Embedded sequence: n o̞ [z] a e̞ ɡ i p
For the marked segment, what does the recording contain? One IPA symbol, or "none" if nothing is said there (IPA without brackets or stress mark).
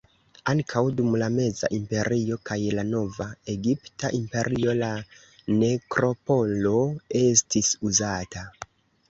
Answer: v